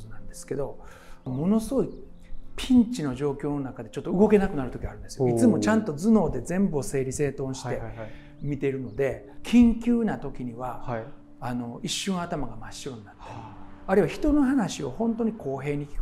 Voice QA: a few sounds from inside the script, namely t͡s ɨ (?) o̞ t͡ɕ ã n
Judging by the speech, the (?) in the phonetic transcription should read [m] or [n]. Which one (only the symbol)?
m